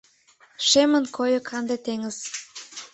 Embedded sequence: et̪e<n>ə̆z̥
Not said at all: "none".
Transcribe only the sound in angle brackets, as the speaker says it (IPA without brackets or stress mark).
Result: ŋ